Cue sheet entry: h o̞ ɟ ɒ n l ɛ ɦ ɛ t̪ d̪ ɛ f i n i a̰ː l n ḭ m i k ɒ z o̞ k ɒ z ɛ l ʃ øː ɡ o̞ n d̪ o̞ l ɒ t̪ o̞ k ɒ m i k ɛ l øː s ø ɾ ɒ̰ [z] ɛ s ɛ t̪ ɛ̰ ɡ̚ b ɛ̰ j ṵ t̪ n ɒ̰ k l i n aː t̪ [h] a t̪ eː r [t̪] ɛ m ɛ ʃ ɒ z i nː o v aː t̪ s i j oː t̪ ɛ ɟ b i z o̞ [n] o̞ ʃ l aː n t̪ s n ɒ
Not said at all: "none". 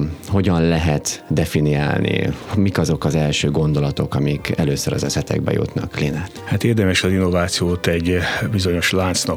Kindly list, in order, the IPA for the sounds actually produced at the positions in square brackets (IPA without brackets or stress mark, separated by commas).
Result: z, h, d̪, ɲ